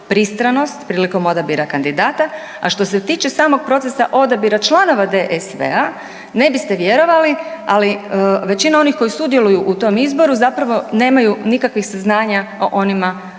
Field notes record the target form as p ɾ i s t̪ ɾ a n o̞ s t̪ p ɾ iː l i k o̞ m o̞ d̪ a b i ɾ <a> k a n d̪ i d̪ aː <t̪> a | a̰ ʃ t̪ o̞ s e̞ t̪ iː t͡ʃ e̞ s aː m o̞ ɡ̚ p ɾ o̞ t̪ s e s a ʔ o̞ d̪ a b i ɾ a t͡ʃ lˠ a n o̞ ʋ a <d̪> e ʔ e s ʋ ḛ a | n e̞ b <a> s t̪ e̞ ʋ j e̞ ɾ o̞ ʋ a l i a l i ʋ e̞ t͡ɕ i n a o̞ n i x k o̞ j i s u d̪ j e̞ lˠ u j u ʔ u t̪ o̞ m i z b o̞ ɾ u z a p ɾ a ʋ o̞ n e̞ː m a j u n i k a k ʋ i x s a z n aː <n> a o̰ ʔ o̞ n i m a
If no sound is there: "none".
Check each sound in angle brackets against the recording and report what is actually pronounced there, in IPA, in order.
a, t̪, d̪, i, ɲ

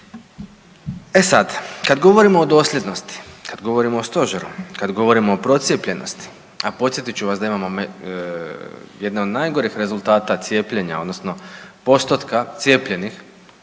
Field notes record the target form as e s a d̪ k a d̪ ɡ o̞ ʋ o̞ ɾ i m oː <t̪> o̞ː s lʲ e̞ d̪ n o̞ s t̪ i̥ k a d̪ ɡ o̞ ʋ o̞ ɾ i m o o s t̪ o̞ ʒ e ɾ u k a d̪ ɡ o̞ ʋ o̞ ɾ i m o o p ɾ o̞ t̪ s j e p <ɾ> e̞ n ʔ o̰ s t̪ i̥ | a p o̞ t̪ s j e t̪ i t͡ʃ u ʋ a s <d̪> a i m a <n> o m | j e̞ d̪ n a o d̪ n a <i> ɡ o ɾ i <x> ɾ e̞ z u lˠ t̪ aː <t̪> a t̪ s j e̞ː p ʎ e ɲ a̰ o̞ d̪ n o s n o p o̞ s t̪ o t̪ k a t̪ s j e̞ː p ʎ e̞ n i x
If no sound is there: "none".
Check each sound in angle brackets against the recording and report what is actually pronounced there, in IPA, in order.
d̪, ʎ, d̪, m, j, x, t̪

